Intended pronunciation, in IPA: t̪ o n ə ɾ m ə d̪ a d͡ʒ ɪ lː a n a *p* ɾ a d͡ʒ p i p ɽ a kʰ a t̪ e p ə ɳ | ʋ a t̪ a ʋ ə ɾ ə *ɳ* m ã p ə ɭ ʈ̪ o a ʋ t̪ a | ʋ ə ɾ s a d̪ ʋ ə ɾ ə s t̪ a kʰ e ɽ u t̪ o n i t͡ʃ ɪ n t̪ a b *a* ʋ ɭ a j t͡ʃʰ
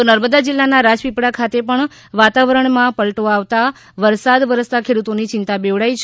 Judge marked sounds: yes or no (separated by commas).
no, yes, no